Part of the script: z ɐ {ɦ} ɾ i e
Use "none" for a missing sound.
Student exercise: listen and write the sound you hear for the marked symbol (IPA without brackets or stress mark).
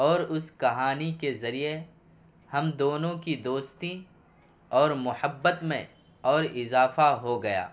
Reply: none